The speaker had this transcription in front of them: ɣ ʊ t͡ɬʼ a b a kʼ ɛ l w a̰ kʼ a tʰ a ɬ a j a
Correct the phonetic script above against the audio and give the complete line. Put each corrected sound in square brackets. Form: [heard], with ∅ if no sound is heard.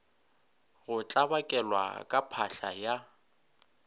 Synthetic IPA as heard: ɣ ʊ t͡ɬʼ a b a kʼ ɛ l w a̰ kʼ a [pʰ] a ɬ a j a